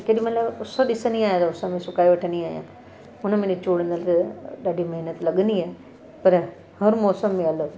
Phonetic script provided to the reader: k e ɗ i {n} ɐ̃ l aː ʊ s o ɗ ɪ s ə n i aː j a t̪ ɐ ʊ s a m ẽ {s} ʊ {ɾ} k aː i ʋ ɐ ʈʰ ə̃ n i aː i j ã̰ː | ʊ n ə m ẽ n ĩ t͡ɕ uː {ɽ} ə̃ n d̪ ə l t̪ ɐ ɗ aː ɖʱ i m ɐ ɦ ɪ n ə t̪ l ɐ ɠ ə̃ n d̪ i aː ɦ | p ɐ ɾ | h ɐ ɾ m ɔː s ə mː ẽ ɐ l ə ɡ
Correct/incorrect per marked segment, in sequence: incorrect: m, correct, incorrect: none, correct

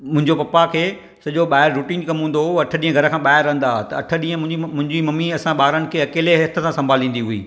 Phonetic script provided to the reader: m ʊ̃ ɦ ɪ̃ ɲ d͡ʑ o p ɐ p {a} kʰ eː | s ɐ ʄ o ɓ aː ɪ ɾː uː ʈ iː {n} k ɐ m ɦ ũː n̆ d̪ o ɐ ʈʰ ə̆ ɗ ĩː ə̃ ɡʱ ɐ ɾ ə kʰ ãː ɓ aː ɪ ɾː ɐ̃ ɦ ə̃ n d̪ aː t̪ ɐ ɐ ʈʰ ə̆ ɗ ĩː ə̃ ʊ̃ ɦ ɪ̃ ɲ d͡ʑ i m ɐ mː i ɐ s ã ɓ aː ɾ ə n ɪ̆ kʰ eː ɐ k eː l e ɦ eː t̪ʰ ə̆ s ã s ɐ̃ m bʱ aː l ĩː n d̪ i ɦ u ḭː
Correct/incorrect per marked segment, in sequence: correct, correct

